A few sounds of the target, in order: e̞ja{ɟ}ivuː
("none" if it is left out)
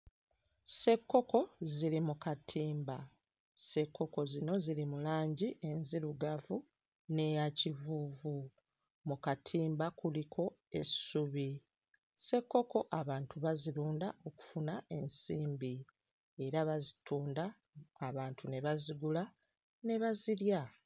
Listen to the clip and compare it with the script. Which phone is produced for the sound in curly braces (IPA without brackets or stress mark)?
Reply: c